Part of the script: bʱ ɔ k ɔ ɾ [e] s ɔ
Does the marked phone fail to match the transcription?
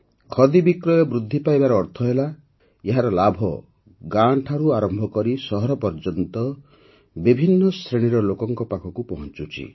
yes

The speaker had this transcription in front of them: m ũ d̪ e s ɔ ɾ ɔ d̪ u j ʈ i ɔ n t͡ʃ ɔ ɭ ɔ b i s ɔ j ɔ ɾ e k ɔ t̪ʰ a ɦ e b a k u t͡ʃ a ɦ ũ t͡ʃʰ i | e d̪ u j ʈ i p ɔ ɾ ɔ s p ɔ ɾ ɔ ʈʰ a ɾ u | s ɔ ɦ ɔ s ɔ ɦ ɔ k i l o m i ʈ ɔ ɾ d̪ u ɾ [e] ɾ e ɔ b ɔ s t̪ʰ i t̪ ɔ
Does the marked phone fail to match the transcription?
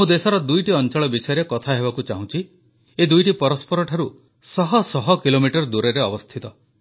no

